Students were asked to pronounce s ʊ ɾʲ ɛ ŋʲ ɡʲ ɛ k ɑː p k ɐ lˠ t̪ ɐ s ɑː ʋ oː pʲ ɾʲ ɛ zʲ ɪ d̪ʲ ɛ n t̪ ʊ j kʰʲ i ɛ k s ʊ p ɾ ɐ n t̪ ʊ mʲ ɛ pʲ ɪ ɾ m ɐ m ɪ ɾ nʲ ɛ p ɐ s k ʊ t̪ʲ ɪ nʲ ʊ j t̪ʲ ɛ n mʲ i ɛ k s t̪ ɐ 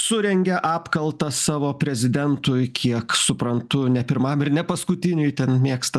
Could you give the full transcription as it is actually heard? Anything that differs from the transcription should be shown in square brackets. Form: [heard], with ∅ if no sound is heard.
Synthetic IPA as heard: s ʊ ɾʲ ɛ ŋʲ ɡʲ ɛ [ʔ] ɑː p k ɐ lˠ t̪ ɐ s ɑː ʋ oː pʲ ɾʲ ɛ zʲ ɪ d̪ʲ ɛ n t̪ ʊ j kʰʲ i ɛ k s ʊ p ɾ ɐ n t̪ ʊ [nʲ] ɛ pʲ ɪ ɾ m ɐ m ɪ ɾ nʲ ɛ p ɐ s k ʊ t̪ʲ ɪ nʲ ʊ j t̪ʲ ɛ n mʲ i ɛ k s t̪ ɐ